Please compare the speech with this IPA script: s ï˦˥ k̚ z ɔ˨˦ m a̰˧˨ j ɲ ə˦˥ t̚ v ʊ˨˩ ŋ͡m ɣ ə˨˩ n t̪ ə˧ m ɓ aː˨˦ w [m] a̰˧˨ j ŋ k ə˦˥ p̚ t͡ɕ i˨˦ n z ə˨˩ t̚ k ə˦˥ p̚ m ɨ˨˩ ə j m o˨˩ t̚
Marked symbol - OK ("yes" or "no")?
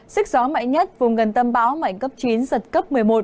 yes